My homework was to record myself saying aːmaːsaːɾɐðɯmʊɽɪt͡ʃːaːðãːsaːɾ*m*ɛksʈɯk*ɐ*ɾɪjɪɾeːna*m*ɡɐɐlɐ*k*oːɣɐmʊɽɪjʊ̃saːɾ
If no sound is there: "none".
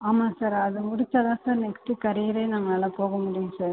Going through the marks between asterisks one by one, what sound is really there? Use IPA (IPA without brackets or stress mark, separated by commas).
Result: n, ɐ, ŋ, p